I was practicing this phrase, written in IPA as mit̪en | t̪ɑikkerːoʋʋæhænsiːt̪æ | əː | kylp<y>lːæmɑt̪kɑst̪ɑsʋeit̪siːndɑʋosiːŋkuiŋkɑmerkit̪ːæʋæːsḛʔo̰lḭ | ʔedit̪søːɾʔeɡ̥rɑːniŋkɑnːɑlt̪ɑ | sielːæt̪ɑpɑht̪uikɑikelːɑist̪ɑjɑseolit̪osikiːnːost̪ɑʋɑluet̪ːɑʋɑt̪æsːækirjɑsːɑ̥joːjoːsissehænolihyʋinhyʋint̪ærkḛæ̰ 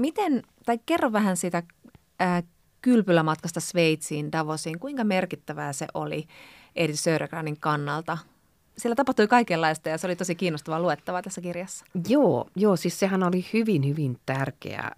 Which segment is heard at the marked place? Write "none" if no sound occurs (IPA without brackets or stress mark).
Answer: y